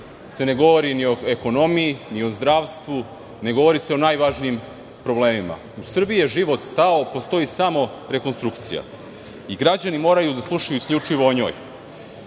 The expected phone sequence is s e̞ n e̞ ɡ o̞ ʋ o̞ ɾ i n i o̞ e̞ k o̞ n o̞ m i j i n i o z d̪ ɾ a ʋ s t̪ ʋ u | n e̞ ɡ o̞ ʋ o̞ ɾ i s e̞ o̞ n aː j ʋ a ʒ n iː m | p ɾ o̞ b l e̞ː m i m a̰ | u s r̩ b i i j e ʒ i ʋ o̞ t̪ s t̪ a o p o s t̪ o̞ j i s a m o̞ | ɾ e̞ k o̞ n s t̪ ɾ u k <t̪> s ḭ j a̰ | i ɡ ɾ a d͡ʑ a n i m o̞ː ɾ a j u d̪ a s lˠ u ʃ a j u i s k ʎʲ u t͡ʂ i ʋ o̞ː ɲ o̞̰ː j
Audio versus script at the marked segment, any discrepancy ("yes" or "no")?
no